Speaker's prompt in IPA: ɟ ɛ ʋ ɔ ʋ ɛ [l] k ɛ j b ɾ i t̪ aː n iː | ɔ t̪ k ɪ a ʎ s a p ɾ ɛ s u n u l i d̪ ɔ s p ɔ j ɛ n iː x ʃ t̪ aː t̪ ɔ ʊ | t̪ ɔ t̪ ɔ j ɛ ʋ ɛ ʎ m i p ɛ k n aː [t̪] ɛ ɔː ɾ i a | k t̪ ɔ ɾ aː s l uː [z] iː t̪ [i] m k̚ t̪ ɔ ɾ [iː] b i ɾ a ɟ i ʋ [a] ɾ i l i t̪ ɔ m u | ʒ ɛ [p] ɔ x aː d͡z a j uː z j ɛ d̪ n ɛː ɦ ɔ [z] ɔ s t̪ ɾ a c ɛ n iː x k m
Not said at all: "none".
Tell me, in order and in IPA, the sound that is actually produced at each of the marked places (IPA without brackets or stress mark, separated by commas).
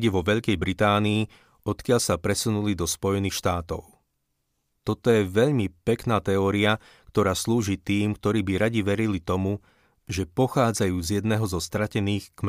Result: ʎ, t̪, ʒ, iː, iː, ɛ, p, z